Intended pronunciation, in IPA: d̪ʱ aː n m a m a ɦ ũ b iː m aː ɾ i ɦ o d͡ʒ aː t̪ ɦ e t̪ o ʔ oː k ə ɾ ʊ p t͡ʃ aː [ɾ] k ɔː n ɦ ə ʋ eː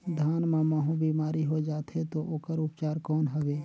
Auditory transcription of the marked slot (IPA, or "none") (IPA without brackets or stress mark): ɾ